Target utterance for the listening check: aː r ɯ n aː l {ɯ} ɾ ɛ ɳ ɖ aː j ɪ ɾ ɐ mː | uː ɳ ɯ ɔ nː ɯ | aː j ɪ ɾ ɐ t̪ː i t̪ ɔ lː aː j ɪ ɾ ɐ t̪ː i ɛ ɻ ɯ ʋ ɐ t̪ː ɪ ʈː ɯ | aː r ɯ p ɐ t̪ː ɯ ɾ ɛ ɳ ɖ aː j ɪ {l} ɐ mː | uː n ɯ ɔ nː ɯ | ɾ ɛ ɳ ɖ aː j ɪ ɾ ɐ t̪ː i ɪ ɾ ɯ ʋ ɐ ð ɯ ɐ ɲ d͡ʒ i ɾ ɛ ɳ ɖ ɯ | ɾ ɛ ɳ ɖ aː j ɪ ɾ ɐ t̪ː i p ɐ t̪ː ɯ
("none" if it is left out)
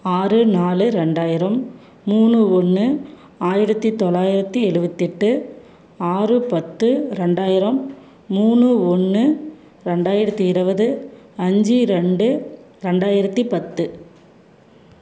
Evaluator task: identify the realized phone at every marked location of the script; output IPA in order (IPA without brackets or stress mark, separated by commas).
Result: ɯ, ɾ